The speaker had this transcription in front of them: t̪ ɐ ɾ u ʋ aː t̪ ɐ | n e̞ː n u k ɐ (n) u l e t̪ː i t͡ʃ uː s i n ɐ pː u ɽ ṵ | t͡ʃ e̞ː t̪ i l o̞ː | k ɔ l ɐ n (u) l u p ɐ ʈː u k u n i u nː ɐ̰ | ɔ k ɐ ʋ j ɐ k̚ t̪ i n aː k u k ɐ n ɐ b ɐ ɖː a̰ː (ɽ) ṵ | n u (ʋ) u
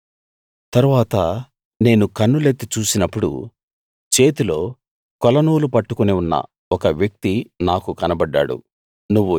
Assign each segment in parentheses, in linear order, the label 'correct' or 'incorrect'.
incorrect: nː, incorrect: uː, correct, incorrect: ʋː

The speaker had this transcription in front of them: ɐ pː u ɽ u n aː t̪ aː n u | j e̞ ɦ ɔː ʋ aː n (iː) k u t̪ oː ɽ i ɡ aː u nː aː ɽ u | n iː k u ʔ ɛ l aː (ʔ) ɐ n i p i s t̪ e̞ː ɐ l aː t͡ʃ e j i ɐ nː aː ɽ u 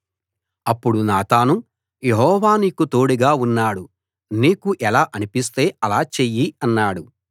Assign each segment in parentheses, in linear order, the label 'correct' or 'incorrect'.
correct, correct

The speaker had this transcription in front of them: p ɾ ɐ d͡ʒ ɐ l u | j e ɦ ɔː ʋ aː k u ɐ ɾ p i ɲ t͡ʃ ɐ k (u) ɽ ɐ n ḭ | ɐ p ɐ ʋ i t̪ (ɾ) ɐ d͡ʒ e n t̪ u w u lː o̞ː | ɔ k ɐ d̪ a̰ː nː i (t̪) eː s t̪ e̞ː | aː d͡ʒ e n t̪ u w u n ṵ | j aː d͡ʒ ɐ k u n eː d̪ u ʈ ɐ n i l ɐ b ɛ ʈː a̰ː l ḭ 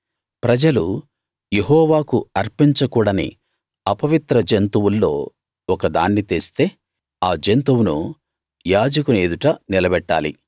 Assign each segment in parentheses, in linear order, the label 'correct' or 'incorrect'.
incorrect: uː, correct, correct

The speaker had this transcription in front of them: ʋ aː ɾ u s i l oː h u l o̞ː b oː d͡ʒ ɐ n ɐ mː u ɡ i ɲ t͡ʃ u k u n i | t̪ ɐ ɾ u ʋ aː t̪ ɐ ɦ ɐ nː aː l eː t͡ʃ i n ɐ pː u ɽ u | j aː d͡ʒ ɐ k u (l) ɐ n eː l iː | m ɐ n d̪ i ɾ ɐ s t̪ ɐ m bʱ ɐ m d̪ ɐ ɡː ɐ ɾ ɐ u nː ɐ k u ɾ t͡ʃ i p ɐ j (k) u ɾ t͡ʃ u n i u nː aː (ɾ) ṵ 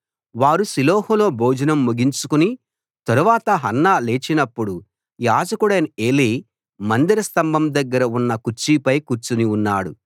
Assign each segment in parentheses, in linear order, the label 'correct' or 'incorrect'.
incorrect: ɽ, correct, incorrect: ɽ

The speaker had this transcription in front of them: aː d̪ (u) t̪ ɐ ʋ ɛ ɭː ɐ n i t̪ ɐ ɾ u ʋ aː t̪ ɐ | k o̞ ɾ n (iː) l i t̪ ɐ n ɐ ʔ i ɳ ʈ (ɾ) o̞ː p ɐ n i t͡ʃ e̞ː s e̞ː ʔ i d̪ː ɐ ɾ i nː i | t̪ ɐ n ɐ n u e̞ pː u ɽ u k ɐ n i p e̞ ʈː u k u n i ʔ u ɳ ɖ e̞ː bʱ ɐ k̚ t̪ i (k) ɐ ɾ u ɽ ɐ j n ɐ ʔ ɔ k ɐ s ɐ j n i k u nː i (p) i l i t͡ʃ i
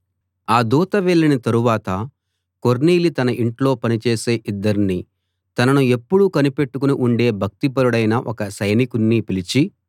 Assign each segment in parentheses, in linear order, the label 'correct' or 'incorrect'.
incorrect: uː, correct, incorrect: l, incorrect: p, correct

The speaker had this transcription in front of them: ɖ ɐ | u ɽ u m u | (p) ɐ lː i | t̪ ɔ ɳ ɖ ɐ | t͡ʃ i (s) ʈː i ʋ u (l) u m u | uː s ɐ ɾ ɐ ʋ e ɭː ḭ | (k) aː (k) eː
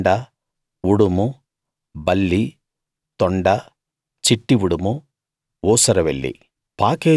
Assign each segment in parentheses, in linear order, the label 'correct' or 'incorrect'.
incorrect: b, incorrect: none, incorrect: ɽ, incorrect: p, correct

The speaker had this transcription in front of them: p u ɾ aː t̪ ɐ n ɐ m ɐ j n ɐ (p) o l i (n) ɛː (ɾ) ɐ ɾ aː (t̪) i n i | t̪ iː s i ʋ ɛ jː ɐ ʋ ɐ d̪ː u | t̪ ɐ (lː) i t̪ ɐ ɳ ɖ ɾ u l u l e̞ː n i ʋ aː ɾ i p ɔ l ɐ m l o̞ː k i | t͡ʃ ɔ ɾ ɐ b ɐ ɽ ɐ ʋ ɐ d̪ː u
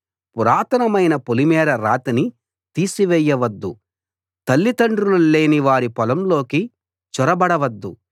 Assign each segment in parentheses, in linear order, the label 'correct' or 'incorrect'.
correct, incorrect: m, correct, correct, correct

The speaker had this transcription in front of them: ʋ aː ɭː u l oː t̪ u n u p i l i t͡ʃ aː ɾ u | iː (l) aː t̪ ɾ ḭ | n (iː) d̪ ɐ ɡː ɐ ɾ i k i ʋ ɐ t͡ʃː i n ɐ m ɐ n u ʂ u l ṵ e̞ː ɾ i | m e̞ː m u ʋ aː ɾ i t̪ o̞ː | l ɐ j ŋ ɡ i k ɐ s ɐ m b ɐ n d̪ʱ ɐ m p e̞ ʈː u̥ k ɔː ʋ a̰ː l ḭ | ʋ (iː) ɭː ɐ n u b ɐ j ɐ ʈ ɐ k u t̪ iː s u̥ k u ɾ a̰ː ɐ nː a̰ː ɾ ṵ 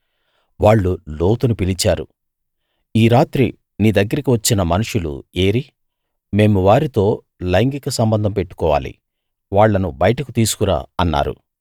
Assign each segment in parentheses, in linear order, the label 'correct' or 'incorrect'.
incorrect: ɾ, correct, incorrect: aː

